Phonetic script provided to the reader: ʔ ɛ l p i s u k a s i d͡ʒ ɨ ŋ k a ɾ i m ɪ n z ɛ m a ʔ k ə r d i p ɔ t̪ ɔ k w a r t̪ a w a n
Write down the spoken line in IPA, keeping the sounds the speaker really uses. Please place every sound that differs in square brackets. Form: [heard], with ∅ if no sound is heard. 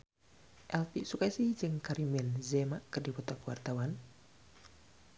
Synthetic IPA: ʔ ɛ l p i s u k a s i d͡ʒ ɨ ŋ k a ɾ i m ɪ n z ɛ m a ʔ k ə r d i p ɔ t̪ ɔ k w a r t̪ a w a n